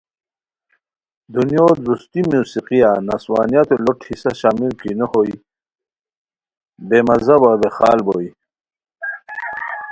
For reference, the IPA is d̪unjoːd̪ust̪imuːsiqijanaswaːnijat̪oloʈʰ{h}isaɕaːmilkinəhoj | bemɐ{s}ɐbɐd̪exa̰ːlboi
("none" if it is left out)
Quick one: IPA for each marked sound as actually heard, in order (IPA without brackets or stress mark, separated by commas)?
h, z